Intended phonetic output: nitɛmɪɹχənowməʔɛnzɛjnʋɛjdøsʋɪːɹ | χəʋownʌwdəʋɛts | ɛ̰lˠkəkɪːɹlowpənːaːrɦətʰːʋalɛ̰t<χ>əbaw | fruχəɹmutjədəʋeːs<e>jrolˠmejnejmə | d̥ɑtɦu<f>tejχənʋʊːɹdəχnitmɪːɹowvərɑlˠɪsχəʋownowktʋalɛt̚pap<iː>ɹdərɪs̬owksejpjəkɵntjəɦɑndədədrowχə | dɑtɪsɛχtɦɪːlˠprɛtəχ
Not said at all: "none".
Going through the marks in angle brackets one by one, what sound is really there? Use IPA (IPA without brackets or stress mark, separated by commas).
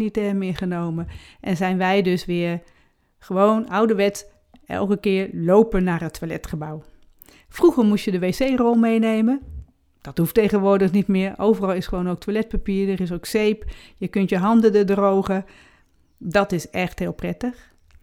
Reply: χ, e, f, iː